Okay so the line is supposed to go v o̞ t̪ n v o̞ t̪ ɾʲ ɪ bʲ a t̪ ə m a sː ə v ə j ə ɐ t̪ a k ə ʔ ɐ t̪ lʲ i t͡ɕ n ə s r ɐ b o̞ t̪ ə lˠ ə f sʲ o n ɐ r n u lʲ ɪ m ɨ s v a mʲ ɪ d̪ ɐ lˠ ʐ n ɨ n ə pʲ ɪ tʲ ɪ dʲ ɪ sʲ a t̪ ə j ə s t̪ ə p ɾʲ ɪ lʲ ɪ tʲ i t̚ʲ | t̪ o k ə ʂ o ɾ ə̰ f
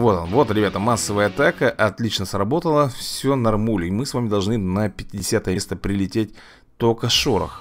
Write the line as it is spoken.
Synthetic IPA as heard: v o̞ t̪ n v o̞ t̪ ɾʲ ɪ bʲ a t̪ ə m a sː ə v ə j ə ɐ t̪ a k ə ʔ ɐ t̪ lʲ i t͡ɕ n ə s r ɐ b o̞ t̪ ə lˠ ə f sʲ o n ɐ r m u lʲ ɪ m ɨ s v a mʲ ɪ d̪ ɐ lˠ ʐ n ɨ n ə pʲ ɪ tʲ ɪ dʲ ɪ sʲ a t̪ ə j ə s t̪ ə p ɾʲ ɪ lʲ ɪ tʲ e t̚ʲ | t̪ o k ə ʂ o ɾ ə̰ x